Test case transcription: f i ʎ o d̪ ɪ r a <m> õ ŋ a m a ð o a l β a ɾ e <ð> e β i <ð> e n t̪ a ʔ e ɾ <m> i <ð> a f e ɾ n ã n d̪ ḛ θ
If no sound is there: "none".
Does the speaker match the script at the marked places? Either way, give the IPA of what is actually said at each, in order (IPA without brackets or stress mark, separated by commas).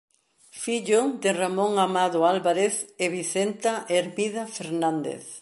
m, θ, θ, m, ð